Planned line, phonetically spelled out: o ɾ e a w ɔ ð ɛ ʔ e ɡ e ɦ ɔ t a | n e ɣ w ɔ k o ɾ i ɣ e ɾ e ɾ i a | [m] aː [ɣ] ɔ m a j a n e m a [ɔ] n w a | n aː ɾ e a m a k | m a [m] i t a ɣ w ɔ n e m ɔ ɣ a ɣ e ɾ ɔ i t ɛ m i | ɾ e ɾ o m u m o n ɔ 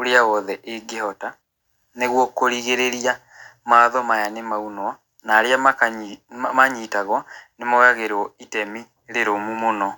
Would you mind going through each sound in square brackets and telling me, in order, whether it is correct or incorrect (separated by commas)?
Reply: correct, incorrect, incorrect, incorrect